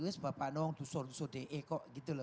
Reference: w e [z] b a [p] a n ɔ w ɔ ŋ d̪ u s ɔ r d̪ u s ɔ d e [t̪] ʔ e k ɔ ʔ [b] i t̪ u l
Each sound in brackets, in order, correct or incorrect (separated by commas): incorrect, correct, incorrect, incorrect